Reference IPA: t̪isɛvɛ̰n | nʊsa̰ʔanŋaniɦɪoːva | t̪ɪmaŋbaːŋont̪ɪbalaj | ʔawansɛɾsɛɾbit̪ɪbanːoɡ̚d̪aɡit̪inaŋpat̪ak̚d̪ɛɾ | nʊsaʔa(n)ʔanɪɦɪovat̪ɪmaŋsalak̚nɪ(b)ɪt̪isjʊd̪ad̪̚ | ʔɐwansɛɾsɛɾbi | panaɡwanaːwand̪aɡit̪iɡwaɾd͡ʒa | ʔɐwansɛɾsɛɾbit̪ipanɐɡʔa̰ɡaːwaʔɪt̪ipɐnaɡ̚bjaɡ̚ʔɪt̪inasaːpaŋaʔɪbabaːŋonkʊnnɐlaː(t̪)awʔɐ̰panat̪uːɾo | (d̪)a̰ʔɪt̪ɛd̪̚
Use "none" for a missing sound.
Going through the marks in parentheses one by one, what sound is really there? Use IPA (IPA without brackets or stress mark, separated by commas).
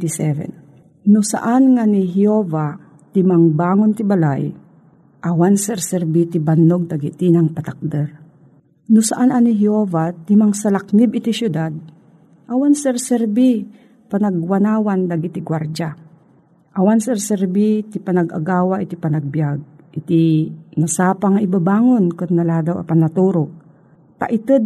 n, b, d̪, t̪